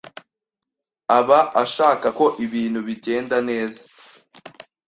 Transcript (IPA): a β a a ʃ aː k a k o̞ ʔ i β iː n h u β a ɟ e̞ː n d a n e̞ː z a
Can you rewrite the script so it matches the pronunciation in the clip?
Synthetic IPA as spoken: a β a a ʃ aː k a k o̞ ʔ i β iː n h u β i ɟ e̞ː n d a n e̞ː z a